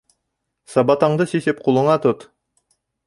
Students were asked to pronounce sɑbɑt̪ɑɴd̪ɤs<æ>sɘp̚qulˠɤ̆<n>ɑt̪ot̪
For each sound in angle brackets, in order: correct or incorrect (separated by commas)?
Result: incorrect, incorrect